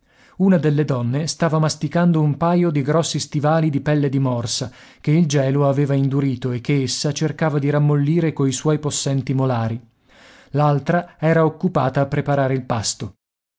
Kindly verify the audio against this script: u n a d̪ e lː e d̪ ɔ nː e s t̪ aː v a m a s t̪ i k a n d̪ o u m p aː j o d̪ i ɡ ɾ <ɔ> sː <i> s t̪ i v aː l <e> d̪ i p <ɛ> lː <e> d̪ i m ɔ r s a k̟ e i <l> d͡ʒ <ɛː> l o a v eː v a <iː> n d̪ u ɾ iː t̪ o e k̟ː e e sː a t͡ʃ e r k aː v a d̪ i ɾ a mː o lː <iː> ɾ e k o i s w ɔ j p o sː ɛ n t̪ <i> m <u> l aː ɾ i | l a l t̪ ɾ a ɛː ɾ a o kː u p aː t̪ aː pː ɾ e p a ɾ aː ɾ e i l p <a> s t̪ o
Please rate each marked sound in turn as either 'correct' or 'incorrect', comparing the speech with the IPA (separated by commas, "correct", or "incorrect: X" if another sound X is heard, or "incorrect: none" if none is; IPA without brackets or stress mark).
correct, correct, incorrect: i, correct, correct, correct, correct, incorrect: i, correct, correct, incorrect: o, correct